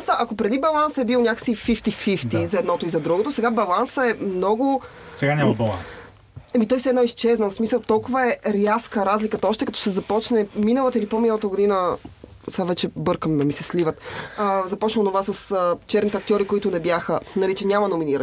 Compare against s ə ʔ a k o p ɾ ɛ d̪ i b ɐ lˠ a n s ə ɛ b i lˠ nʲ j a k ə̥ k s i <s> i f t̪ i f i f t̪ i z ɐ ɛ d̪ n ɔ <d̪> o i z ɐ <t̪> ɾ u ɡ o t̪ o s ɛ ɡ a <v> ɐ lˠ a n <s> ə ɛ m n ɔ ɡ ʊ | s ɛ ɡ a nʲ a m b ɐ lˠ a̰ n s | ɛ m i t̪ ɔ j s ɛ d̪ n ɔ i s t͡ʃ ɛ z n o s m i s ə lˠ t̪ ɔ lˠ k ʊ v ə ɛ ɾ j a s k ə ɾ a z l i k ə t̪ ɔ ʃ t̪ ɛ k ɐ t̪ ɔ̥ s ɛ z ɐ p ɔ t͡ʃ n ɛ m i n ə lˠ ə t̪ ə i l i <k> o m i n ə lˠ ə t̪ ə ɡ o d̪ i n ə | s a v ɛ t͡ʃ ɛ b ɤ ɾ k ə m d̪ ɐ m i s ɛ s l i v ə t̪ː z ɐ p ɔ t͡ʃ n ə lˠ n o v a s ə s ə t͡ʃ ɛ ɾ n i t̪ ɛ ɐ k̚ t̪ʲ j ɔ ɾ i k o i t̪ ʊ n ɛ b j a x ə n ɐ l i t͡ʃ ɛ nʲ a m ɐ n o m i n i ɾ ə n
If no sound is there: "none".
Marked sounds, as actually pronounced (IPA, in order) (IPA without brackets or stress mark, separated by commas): f, t̪, d̪, b, s, p